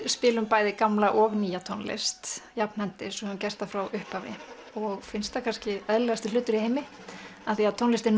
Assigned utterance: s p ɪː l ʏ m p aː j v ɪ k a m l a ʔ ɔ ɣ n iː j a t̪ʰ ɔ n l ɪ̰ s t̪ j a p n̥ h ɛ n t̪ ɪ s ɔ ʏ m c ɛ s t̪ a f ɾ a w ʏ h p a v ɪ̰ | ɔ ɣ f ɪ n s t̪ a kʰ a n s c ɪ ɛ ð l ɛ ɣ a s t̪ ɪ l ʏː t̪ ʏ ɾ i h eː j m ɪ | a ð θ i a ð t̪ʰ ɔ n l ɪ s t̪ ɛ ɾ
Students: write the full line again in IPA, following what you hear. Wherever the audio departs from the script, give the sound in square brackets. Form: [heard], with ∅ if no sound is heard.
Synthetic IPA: s p ɪː l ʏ m p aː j [ð] ɪ k a m l a ʔ ɔ ɣ n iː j a t̪ʰ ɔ n l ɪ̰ s t̪ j a p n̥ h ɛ n t̪ ɪ s ɔ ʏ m c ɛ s t̪ a f ɾ a w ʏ h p a v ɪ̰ | ɔ ɣ f ɪ n s t̪ a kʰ a n s c ɪ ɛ ð l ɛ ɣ a s t̪ ɪ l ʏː t̪ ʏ ɾ i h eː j m ɪ | a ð θ i a ð t̪ʰ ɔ n l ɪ s t̪ ɛ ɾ